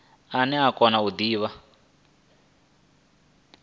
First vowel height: low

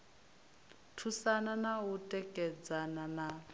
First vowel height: high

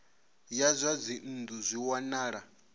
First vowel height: low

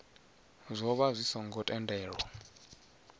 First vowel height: mid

